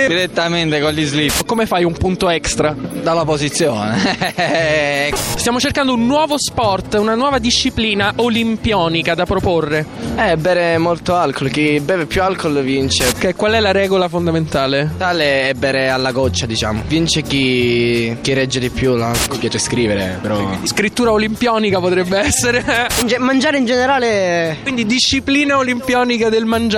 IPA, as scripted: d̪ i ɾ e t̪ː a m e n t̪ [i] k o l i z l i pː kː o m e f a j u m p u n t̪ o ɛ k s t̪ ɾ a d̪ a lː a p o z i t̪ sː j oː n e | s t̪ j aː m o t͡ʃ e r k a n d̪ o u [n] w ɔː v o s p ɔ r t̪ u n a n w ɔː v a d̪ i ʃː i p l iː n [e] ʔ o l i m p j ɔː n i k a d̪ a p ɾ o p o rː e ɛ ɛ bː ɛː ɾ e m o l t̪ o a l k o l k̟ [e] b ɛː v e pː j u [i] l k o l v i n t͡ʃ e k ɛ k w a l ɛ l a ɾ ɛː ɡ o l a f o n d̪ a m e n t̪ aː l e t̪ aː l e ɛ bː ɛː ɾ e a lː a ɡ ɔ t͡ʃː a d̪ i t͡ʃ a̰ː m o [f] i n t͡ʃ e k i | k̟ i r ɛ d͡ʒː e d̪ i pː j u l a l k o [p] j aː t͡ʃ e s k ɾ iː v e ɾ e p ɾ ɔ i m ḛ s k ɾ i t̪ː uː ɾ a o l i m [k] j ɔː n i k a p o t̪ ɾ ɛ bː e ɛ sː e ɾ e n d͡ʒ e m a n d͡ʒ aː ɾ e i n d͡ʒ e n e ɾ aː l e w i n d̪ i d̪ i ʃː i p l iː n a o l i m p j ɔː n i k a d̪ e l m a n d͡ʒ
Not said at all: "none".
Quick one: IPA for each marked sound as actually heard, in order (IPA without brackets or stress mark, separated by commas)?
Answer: e, nː, a, i, a, v, p, p